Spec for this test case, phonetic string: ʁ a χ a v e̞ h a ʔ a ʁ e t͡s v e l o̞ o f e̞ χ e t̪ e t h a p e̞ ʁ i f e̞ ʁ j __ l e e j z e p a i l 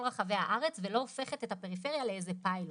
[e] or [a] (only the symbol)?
a